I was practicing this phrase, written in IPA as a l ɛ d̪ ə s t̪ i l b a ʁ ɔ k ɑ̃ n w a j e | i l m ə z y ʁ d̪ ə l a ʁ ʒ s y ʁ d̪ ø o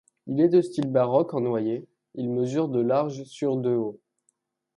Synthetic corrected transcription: i l ɛ d̪ ə s t̪ i l b a ʁ ɔ k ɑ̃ n w a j e | i l m ə z y ʁ d̪ ə l a ʁ ʒ s y ʁ d̪ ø o